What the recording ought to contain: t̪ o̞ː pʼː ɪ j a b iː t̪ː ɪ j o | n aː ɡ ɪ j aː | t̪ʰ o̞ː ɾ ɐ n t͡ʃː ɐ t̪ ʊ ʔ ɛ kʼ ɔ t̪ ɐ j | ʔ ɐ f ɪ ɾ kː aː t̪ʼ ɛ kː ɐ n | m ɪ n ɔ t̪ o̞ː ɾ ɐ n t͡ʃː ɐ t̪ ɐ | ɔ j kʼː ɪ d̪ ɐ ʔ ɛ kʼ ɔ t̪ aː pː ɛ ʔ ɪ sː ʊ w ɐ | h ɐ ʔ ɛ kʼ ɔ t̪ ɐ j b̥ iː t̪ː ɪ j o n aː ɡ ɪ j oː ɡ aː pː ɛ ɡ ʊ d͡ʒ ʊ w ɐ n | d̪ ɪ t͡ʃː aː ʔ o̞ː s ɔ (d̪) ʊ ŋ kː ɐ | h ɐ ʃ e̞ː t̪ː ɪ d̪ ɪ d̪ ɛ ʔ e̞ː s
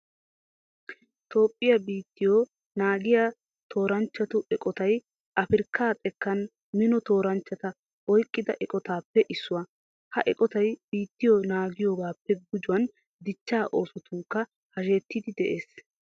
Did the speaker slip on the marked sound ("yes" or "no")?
yes